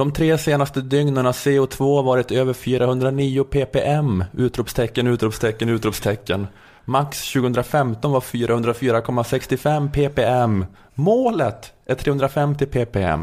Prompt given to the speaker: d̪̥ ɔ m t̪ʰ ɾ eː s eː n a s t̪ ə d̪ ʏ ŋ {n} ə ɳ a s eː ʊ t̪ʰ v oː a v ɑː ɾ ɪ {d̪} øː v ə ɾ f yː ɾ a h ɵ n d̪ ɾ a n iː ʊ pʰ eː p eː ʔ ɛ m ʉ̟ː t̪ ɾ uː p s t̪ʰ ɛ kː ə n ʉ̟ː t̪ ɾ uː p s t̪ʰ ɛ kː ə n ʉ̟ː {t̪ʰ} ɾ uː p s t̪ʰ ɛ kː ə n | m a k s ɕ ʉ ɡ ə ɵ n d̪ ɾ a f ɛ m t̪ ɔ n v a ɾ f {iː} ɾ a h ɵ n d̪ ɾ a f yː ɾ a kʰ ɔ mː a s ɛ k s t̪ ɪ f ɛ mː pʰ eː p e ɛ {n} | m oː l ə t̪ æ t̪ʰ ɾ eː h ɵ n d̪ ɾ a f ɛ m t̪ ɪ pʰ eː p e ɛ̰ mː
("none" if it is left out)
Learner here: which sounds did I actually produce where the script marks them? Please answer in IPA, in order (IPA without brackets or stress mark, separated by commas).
n, t̪, t̪, yː, m